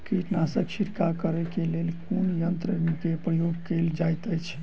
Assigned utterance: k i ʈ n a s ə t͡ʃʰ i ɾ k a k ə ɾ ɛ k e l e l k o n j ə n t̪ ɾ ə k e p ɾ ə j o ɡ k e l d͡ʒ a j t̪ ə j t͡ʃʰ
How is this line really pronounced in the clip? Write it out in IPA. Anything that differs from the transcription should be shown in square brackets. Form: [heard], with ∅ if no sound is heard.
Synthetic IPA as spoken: k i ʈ n a s ə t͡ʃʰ i ɾ k a k ə ɾ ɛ k e l e l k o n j ə n t̪ ɾ ə k e p ɾ ə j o ɡ k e l d͡ʒ a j t̪ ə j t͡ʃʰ